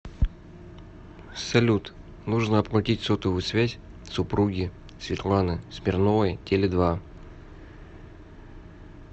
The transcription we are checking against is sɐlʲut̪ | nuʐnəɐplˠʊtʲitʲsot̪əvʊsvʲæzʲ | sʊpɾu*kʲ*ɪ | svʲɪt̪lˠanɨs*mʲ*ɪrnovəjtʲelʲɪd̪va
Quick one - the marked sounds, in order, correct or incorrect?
incorrect: ɡʲ, correct

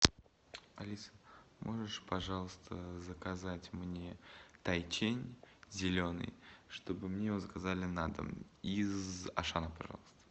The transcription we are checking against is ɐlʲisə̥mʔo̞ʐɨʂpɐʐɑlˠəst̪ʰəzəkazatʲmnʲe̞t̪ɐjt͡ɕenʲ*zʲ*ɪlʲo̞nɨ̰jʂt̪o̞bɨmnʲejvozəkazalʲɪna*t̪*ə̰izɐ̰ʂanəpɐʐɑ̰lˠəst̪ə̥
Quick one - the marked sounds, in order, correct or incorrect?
correct, incorrect: d̪

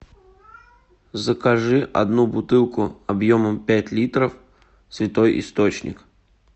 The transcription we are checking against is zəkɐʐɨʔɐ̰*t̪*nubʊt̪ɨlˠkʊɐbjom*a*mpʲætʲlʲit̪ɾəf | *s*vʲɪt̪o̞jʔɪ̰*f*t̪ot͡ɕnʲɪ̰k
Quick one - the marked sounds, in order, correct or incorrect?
incorrect: d̪, incorrect: ə, correct, incorrect: s

